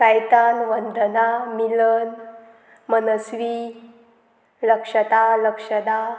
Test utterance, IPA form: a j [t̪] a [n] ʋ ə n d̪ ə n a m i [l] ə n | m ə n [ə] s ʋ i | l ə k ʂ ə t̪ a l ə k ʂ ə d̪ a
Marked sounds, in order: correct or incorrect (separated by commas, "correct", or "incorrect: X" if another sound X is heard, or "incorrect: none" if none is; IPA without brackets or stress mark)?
correct, correct, correct, correct